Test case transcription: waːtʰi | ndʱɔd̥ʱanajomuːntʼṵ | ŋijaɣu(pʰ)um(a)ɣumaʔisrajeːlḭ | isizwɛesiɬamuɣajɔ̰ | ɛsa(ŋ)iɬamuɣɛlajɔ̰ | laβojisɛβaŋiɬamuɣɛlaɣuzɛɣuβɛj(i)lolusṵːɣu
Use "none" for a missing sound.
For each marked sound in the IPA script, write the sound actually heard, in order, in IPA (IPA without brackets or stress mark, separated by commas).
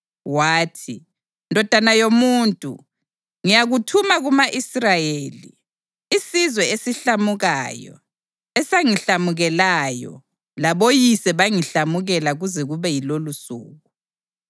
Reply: tʰ, a, ŋ, i